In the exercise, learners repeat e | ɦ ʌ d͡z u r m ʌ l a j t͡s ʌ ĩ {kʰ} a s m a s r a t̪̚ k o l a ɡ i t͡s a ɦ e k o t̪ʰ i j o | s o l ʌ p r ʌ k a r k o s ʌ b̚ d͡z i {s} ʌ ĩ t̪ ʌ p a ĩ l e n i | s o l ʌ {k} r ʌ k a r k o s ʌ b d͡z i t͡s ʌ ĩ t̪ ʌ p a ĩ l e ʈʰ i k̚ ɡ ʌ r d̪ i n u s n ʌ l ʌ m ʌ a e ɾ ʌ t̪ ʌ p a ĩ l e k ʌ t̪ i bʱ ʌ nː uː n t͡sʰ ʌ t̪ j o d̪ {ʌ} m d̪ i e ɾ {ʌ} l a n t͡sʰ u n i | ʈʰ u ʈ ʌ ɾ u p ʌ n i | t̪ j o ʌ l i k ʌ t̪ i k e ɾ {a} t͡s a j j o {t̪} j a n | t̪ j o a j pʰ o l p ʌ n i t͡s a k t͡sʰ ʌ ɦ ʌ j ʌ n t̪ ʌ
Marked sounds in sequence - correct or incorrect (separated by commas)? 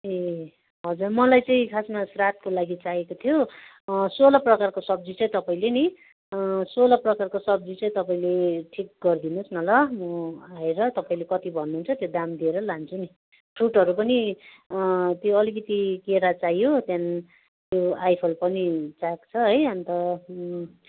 correct, incorrect, incorrect, incorrect, correct, correct, correct